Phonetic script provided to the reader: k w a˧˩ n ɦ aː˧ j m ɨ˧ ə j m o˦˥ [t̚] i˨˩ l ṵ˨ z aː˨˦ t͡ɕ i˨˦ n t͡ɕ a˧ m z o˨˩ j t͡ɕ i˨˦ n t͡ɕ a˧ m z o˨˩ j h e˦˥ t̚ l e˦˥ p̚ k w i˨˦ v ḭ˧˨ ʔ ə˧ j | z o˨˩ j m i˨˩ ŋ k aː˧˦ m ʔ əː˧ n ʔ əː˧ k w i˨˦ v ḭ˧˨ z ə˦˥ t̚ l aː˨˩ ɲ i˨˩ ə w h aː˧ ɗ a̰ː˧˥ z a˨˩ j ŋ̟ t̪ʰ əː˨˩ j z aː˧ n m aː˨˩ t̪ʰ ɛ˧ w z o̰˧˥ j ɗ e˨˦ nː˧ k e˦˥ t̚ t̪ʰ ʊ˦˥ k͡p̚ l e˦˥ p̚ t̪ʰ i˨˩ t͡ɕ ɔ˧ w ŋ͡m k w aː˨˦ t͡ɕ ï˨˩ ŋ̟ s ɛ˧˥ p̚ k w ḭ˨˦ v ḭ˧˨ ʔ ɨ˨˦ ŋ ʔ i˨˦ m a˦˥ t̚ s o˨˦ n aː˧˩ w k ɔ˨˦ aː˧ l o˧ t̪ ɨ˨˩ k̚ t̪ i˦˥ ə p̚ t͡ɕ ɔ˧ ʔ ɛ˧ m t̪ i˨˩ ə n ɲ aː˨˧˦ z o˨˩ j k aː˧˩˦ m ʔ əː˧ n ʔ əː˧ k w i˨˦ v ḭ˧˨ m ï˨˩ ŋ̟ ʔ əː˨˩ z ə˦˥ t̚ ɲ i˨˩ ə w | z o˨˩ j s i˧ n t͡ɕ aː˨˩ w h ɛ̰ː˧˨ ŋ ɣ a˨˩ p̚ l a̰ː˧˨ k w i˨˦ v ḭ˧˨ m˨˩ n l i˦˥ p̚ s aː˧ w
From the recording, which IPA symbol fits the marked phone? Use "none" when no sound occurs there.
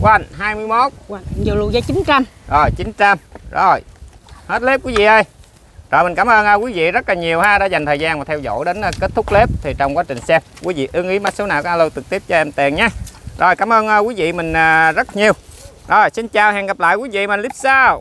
t̚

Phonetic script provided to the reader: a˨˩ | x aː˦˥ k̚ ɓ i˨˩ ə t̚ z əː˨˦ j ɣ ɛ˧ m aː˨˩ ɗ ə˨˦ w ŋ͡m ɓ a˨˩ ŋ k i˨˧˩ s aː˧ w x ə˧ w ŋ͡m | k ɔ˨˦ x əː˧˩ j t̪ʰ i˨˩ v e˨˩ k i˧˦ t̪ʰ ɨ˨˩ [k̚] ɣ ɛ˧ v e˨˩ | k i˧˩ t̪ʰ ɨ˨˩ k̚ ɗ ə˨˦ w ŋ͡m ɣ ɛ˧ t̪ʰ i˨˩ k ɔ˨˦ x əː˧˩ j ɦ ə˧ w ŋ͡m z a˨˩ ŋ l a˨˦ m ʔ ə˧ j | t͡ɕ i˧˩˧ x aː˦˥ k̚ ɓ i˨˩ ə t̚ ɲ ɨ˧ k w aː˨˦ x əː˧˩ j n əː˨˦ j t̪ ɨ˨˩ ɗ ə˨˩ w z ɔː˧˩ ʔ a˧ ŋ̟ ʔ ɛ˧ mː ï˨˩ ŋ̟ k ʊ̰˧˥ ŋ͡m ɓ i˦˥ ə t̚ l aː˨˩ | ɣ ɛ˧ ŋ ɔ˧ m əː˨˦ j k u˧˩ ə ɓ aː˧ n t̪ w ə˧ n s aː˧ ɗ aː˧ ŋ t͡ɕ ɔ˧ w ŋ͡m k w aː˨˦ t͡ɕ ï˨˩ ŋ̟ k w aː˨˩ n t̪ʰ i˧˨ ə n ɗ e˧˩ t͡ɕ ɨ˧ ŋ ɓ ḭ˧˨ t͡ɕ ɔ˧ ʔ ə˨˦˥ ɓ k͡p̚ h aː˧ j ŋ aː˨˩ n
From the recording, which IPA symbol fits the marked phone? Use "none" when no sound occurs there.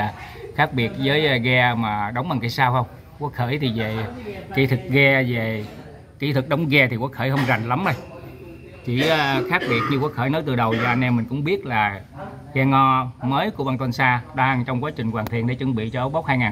k̚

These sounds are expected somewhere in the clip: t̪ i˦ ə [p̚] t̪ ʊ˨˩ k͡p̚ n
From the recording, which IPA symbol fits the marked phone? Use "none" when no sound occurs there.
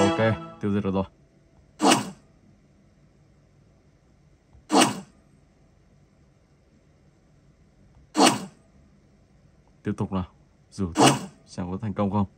p̚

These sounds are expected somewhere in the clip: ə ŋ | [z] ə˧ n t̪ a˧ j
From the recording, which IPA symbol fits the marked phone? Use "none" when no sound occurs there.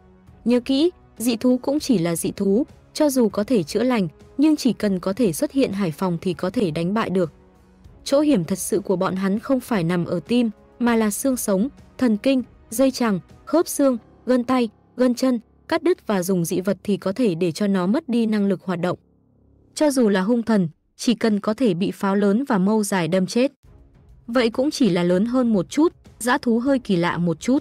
ɣ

